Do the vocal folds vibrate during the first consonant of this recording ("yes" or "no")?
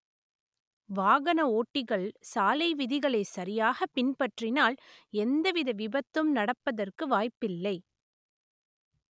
yes